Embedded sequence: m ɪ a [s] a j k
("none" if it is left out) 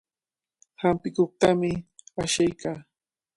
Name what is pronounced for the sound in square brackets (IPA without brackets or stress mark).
ʃ